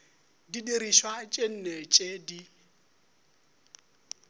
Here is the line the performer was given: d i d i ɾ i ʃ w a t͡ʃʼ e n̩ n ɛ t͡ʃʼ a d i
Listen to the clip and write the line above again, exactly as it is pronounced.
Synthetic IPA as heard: d i d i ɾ i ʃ w a t͡ʃʼ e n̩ n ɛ t͡ʃʼ e d i